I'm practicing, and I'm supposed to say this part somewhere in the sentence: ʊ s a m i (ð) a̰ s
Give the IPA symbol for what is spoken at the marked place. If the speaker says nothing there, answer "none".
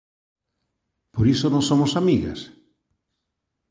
ɣ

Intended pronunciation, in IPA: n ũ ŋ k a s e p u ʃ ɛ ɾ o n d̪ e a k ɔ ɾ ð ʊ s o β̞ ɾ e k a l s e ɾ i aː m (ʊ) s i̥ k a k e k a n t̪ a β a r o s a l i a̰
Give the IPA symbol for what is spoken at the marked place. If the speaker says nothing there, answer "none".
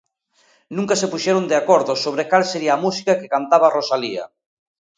u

